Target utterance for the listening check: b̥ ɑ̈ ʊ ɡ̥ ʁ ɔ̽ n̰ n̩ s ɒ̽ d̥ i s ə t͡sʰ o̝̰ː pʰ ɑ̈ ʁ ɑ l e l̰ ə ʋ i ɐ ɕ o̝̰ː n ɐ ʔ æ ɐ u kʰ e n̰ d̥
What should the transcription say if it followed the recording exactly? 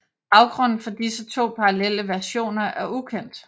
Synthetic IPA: b̥ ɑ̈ ʊ ɡ̥ ʁ ɔ̽ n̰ n̩ f ɒ̽ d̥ i s ə t͡sʰ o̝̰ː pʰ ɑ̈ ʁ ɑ l e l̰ ə ʋ æ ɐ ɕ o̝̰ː n ɐ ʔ æ ɐ u kʰ e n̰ d̥